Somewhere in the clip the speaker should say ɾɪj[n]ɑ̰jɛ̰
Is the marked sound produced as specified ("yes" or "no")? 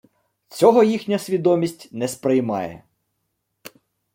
no